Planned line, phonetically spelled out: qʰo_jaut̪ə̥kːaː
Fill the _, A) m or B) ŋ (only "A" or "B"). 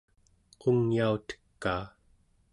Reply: B